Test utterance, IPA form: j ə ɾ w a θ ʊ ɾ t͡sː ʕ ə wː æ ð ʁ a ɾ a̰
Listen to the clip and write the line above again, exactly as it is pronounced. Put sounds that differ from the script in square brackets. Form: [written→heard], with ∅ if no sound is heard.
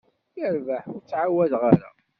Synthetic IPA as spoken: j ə ɾ [w→v] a [θ→ħ] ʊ ɾ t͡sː ʕ [ə→a] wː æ ð ʁ a ɾ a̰